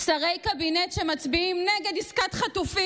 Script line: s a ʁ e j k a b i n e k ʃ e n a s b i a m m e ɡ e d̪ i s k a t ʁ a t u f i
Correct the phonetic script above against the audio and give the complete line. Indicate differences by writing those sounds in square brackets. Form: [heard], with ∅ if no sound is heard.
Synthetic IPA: s a ʁ e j k a b i n e [t] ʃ e [m] a [t͡s] b i [i] m [n] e ɡ e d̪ i s k a t [χ] a t u f i